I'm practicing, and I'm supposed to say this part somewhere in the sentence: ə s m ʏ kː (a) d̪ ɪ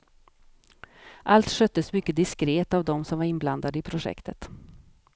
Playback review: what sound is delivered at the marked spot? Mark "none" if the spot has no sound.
ə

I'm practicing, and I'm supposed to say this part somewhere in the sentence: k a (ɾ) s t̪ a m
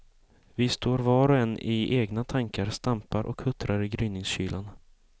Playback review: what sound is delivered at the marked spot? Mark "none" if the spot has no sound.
ɾ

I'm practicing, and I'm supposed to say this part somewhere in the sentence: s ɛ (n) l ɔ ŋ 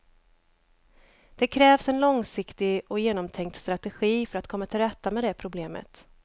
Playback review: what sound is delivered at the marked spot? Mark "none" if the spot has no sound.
n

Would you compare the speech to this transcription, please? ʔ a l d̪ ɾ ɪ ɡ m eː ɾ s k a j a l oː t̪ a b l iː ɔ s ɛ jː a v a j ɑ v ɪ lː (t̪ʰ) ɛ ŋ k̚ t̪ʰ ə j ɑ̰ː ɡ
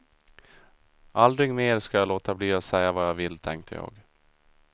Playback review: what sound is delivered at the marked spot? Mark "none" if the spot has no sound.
t̪ʰ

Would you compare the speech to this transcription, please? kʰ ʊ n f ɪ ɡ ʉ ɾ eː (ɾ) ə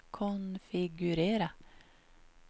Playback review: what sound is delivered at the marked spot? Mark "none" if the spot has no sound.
ɾ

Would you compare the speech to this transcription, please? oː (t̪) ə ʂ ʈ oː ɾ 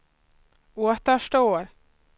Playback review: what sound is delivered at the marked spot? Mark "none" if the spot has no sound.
t̪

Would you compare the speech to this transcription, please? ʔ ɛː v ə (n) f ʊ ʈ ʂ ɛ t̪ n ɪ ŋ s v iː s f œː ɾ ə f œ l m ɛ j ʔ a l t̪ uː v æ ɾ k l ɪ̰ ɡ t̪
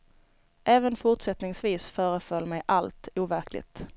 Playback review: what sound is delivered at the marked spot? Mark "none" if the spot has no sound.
n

